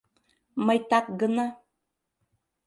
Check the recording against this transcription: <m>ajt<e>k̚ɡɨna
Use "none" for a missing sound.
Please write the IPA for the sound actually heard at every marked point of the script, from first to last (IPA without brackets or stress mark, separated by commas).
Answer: m, a